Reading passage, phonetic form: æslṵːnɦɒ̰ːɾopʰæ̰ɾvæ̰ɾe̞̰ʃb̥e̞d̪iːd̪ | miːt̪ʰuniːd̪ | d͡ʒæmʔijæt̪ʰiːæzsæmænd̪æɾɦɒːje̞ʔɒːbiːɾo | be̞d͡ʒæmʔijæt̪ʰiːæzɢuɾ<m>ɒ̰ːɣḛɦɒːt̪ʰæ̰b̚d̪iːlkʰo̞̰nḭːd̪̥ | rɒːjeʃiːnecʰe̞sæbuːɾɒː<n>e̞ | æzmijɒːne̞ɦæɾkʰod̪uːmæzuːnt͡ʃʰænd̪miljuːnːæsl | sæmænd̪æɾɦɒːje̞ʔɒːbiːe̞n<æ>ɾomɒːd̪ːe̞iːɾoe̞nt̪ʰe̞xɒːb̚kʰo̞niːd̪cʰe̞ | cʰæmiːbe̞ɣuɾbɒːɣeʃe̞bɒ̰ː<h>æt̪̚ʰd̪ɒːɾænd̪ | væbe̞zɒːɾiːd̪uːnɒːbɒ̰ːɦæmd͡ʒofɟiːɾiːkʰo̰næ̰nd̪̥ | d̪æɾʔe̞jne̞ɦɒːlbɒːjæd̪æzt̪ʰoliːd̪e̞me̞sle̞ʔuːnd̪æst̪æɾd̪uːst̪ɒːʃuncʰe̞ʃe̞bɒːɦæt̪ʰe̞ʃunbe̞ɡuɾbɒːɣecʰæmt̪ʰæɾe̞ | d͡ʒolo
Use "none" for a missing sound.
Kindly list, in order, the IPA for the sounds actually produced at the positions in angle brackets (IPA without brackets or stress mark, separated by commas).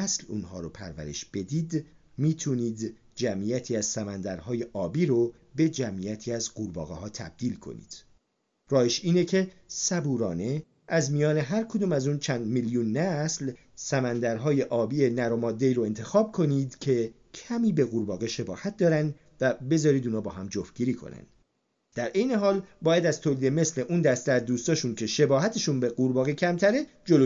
b, n, æ, h